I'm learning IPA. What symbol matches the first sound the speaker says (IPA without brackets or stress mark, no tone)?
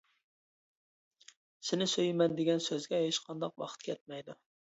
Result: s